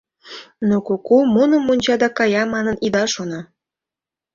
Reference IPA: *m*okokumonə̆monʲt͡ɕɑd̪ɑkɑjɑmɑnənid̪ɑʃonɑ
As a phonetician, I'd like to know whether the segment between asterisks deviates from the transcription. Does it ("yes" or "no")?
yes